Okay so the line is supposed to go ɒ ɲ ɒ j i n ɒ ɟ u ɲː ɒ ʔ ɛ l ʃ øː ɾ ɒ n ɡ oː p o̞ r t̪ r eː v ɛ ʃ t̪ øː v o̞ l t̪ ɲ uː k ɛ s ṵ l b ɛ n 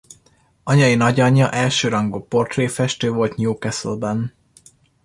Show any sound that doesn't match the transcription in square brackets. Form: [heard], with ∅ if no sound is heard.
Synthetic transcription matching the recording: ɒ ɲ ɒ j i n ɒ ɟ [ɒ] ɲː ɒ ʔ ɛ l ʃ øː ɾ ɒ [ŋ] ɡ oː p o̞ r t̪ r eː [f] ɛ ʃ t̪ øː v o̞ l t̪ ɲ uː k ɛ s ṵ l b ɛ n